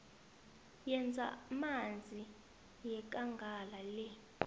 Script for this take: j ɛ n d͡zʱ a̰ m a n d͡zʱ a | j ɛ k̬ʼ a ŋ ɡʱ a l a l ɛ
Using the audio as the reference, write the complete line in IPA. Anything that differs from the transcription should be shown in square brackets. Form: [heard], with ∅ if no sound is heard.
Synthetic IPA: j ɛ n d͡zʱ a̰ m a n d͡zʱ [i] | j ɛ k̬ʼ a ŋ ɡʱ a l a l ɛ